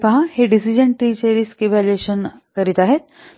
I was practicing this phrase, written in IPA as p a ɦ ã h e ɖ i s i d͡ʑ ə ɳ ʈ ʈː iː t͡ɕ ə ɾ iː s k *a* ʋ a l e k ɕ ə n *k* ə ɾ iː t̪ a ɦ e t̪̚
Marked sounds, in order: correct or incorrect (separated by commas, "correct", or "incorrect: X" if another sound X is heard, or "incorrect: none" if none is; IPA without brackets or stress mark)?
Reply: incorrect: i, correct